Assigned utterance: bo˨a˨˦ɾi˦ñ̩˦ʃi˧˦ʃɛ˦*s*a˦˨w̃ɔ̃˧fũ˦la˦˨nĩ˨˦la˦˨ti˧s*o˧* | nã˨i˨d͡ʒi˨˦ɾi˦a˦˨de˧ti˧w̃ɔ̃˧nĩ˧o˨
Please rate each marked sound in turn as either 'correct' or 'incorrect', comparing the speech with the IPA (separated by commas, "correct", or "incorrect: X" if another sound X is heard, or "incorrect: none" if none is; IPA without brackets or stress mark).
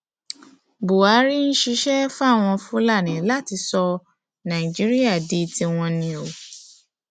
incorrect: f, incorrect: ɔ˧